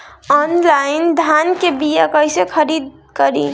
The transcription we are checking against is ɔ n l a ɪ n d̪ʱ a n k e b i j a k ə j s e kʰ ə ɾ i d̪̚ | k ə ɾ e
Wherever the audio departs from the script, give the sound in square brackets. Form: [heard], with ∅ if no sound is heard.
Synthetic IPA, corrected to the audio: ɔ n l a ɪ n d̪ʱ a n k e b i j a k ə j s e kʰ ə ɾ i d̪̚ | k ə ɾ [i]